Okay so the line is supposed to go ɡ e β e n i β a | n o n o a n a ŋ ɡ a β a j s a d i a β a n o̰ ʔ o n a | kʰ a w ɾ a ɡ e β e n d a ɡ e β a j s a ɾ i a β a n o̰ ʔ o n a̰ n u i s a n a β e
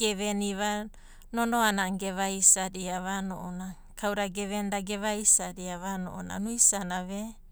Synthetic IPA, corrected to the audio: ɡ e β e n i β a | n o n o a n a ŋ ɡ e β a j s a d i a β a n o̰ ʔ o n a | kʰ a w ɾ a ɡ e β e n d a ɡ e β a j s a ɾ i a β a n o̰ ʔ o n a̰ n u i s a n a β e

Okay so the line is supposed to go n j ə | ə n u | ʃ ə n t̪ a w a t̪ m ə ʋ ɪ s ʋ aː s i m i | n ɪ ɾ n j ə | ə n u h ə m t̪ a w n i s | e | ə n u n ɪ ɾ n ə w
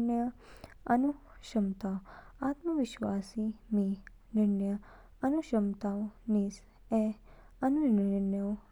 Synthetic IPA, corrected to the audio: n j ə | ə n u | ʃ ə m t̪ a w a t̪ m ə ʋ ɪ ʃ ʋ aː s i m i | n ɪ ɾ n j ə | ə n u ʃ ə m t̪ a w n i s | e | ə n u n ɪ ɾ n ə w

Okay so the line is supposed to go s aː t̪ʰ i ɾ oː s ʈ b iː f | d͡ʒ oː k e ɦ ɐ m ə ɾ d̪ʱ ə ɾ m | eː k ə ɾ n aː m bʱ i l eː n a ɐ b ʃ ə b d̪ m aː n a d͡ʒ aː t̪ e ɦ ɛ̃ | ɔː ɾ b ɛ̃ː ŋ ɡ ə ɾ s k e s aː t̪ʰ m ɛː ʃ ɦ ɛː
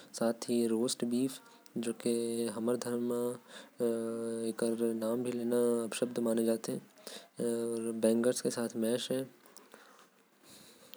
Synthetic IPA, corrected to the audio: s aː t̪ʰ i ɾ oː s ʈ b iː f | d͡ʒ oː k e ɦ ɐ m ə ɾ d̪ʱ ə ɾ m | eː k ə ɾ n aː m bʱ i l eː n a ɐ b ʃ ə b d̪ m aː n e d͡ʒ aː t̪ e ɦ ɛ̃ | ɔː ɾ b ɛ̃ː ŋ ɡ ə ɾ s k e s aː t̪ʰ m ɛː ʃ ɦ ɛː

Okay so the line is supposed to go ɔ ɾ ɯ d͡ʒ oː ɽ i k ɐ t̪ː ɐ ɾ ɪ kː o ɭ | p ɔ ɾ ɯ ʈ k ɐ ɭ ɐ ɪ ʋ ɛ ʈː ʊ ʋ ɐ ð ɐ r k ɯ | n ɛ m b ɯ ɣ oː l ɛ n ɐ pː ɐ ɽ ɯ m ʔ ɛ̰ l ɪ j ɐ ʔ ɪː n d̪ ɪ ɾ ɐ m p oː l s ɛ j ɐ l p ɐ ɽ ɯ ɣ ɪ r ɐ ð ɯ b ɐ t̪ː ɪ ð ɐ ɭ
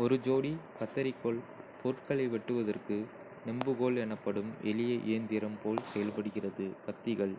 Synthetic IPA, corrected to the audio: ɔ ɾ ɯ d͡ʒ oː ɽ i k ɐ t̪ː ɐ ɾ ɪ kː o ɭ | p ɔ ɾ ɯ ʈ k ɐ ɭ ɐ ɪ ʋ ɛ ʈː ɯ ʋ ɐ ð ɐ r k ɯ | n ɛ m b ɯ ɣ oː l ɛ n ɐ pː ɐ ɽ ɯ m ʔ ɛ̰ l ɪ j ɐ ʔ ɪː n d̪ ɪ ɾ ɐ m p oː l s ɛ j ɐ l p ɐ ɽ ɯ ɣ ɪ r ɐ ð ɯ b ɐ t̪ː ɪ ɣ ɐ ɭ

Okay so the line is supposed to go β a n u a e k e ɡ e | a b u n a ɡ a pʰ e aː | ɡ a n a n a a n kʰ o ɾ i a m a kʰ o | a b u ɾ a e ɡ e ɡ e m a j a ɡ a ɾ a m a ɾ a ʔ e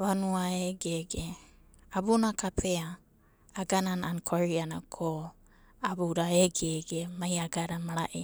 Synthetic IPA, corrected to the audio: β a n u a e ɡ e ɡ e | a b u n a k a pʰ e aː | ɡ a n a n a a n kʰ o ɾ i a n a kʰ o | a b u ɾ a e ɡ e ɡ e m a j a ɡ a ɾ a m a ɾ a ʔ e

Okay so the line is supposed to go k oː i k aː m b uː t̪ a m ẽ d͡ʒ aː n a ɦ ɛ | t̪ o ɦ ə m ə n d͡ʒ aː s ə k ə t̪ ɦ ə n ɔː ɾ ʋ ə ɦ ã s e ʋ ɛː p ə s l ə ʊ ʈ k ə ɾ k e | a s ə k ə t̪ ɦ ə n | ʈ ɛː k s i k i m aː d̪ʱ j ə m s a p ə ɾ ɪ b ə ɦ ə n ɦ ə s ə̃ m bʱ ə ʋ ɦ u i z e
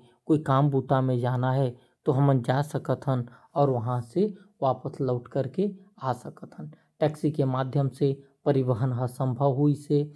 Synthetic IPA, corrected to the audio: k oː i k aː m b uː t̪ a m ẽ d͡ʒ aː n a ɦ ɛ | t̪ o ɦ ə m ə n d͡ʒ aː s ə k ə t̪ ɦ ə n ɔː ɾ ʋ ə ɦ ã s e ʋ aː p ə s l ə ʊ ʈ k ə ɾ k e | a s ə k ə t̪ ɦ ə n | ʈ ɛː k s i k e m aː d̪ʱ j ə m s e p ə ɾ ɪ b ə ɦ ə n ɦ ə s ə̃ m bʱ ə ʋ ɦ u i s e

